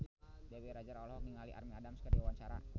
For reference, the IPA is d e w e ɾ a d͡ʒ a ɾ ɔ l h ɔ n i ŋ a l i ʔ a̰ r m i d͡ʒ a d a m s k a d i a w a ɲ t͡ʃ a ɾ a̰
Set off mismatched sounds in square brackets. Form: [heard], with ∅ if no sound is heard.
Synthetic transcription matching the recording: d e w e ɾ a d͡ʒ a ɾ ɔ l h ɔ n i ŋ a l i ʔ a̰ r m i [∅] a d a m s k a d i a w a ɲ t͡ʃ a ɾ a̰

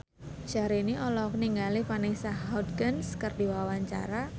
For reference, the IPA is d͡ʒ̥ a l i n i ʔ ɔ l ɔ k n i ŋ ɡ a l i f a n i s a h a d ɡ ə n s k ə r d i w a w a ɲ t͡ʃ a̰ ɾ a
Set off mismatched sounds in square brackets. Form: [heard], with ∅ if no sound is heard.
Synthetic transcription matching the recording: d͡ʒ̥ a [ɾ] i n i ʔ ɔ l ɔ k n i ŋ ɡ a l i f a n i s a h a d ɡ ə n s k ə r d i w a w a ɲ t͡ʃ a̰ ɾ a

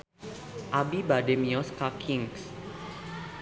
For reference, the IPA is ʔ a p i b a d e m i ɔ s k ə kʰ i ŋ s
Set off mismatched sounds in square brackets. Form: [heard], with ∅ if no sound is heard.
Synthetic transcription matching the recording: ʔ a [b] i b a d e m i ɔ s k [a] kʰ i ŋ s

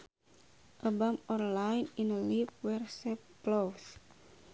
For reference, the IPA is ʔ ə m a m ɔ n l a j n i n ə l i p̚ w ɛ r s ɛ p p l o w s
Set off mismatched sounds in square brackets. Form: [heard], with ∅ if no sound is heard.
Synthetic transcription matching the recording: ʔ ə [b] a m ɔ n l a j n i n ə l i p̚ w ɛ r s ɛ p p l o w s

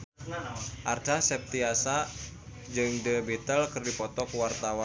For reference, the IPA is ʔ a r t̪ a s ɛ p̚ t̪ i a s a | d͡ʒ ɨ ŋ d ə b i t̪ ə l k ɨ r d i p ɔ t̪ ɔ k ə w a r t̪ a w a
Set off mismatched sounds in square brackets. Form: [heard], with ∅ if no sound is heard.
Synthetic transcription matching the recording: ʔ a r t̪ a s ɛ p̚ t̪ i a s a | d͡ʒ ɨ ŋ d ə b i t̪ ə l k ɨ r d i p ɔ t̪ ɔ k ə w a r t̪ a w a

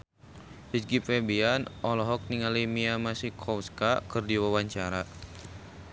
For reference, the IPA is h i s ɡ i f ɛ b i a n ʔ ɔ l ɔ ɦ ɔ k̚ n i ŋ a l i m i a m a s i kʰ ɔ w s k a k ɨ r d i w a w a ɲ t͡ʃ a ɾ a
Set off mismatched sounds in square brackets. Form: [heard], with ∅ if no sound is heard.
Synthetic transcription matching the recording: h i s ɡ i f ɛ b i a n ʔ ɔ l ɔ ɦ ɔ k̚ n i ŋ a l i m i a m a s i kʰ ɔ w s k a k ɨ r d i w a w a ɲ t͡ʃ a ɾ a

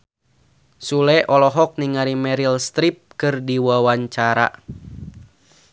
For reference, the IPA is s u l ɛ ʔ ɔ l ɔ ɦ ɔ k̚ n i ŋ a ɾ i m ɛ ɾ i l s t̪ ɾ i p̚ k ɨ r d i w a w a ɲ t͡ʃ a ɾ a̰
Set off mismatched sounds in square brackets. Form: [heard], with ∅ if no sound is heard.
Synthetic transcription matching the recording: s u l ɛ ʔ ɔ l ɔ ɦ ɔ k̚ n i ŋ a ɾ i m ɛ ɾ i l s t̪ ɾ i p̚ k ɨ r d i w a w a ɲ t͡ʃ a ɾ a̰

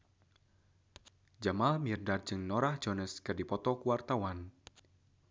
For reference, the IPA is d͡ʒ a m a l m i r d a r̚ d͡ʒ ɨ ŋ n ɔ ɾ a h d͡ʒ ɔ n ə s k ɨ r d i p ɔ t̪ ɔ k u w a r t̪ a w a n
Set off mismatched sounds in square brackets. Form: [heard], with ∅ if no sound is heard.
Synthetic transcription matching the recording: d͡ʒ a m a l m i r d a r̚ d͡ʒ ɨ ŋ n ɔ ɾ a h d͡ʒ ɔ n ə s k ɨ r d i p ɔ t̪ ɔ k u w a r t̪ a w a n

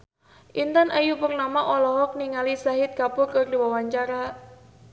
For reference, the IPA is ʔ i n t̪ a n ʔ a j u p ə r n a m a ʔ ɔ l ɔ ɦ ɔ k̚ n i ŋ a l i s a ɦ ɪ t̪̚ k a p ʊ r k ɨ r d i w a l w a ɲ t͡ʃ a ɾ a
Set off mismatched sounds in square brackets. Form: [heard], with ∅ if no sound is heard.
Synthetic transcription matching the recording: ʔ i n t̪ a n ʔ a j u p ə r n a m a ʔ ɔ l ɔ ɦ ɔ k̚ n i ŋ a l i s a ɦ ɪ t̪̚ k a p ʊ r k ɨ r d i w a [∅] w a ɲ t͡ʃ a ɾ a

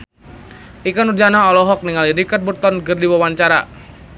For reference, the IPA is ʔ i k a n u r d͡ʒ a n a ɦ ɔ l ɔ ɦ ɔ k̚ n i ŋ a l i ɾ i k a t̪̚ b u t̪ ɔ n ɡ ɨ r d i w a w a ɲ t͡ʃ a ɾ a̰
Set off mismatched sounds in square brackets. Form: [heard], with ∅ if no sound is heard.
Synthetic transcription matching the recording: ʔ i k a n u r d͡ʒ a n a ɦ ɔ l ɔ ɦ ɔ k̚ n i ŋ a l i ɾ i k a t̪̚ b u t̪ ɔ n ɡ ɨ r d i w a w a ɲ t͡ʃ a ɾ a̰

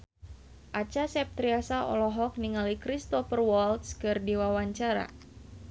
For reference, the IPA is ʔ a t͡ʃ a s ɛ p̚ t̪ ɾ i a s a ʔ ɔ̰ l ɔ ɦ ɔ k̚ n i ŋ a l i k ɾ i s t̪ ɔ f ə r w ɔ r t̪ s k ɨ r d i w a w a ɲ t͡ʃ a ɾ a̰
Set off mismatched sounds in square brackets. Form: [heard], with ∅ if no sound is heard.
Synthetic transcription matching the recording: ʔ a t͡ʃ a s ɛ p̚ t̪ ɾ i a s a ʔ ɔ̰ l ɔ ɦ ɔ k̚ n i ŋ a l i k ɾ i s t̪ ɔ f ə r w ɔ [l] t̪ s k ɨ r d i w a w a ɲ t͡ʃ a ɾ a̰

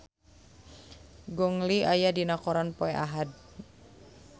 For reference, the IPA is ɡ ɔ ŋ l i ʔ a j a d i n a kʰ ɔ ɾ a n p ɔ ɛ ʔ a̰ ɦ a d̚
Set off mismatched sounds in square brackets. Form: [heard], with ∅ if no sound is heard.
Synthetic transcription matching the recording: ɡ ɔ ŋ l i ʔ a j a d i n a [k] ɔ ɾ a n p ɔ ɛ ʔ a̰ ɦ a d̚

